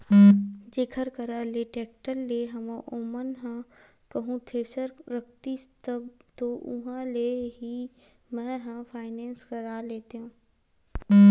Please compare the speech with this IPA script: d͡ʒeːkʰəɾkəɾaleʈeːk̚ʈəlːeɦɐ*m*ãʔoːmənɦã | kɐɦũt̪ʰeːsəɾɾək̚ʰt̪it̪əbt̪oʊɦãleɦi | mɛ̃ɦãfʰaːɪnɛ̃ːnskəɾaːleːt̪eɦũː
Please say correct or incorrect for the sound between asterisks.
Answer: correct